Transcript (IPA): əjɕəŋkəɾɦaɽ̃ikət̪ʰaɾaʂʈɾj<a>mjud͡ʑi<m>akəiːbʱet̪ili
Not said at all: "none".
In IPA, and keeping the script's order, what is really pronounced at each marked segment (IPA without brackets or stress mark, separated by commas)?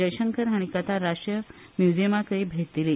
ə, m